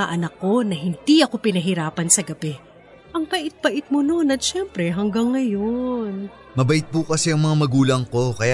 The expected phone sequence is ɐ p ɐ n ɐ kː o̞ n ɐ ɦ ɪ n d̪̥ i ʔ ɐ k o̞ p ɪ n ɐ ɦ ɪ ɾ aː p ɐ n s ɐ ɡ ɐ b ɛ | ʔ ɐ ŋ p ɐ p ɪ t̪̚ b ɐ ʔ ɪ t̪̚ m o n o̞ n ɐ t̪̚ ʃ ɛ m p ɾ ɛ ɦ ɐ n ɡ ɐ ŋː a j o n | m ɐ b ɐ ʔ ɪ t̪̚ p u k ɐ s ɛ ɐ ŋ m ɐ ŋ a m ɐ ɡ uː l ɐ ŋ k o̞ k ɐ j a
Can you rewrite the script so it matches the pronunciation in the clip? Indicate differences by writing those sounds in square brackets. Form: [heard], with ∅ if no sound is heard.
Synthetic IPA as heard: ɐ [ʔ] ɐ n ɐ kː o̞ n ɐ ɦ ɪ n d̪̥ i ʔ ɐ k o̞ p ɪ n ɐ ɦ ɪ ɾ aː p ɐ n s ɐ ɡ ɐ b ɛ | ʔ ɐ ŋ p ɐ [ʔ] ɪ t̪̚ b ɐ ʔ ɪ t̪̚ m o n o̞ n ɐ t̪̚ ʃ ɛ m p ɾ ɛ ɦ ɐ [ŋ] ɡ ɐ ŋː [ɐ] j o n | m ɐ b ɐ ʔ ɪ t̪̚ p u k ɐ s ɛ ɐ ŋ m ɐ ŋ a m ɐ ɡ uː l ɐ ŋ k o̞ k ɐ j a